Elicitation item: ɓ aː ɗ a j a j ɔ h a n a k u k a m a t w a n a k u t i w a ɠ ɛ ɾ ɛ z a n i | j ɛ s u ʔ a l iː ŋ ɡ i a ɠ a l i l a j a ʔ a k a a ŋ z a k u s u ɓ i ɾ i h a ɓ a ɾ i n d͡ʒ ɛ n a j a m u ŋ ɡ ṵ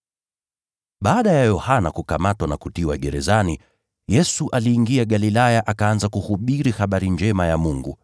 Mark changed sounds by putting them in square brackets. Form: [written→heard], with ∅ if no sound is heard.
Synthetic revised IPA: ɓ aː ɗ a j a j ɔ h a n a k u k a m a t w a n a k u t i w a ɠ ɛ ɾ ɛ z a n i | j ɛ s u ʔ a l iː ŋ ɡ i a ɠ a l i l a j a ʔ a k a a [ŋ→n] z a k u [s→h] u ɓ i ɾ i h a ɓ a ɾ i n d͡ʒ ɛ [n→m] a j a m u ŋ ɡ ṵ